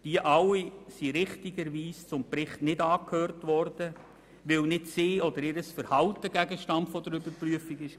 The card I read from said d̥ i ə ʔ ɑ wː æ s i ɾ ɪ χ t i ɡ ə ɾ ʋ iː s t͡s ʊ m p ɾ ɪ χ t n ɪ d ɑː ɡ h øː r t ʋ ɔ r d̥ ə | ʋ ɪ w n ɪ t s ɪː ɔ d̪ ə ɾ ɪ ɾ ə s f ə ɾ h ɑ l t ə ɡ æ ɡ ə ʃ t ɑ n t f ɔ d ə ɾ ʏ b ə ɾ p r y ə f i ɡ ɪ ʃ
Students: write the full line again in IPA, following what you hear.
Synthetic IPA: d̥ i ə ʔ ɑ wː i s i ɾ ɪ χ t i ɡ ə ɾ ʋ iː s t͡s ʊ m p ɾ ɪ χ t n ɪ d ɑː k h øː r t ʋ ɔ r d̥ ə | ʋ ɪ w n ɪ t s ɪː ɔ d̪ ə ɾ ɪ ɾ ə s f ə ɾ h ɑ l t ə ɡ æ ɡ ə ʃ t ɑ n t f ɔ d ə ɾ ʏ b ə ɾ p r y ə f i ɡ ɪ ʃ